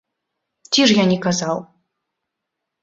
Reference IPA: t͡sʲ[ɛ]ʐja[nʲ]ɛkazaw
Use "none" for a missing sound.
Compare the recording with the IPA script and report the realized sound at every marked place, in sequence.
i, nʲ

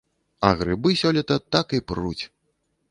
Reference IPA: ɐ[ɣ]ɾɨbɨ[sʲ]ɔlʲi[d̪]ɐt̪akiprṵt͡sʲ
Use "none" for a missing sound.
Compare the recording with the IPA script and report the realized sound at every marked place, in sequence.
ɣ, sʲ, t̪

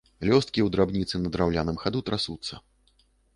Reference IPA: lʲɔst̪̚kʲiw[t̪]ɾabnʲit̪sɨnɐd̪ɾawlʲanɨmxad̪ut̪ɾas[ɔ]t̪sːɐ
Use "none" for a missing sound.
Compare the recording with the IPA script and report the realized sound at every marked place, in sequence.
d̪, u

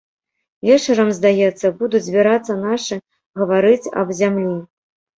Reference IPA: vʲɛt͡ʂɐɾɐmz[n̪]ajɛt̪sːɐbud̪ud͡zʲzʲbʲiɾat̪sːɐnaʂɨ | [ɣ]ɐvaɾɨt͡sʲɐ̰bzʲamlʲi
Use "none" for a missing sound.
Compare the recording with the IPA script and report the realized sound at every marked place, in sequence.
d̪, ɣ

